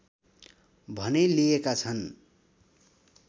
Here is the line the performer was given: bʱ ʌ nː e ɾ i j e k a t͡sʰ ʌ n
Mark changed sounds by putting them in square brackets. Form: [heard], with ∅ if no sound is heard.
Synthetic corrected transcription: bʱ ʌ [n] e [l] i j e k a t͡sʰ ʌ n